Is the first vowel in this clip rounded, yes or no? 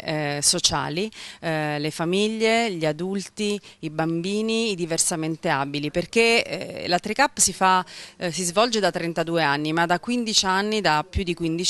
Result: yes